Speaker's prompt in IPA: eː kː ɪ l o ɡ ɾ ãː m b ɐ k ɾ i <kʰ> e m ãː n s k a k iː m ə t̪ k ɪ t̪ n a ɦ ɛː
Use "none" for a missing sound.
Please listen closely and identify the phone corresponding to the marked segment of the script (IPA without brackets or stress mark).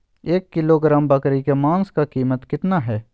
k